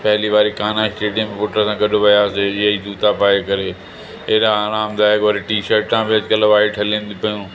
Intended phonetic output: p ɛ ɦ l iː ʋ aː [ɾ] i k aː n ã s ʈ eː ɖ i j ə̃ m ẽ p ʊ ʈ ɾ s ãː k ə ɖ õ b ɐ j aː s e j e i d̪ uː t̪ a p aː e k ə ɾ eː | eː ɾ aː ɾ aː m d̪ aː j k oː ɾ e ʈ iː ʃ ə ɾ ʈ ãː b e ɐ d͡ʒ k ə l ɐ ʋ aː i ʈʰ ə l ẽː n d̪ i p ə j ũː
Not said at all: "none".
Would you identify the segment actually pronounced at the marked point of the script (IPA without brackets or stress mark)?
ɾ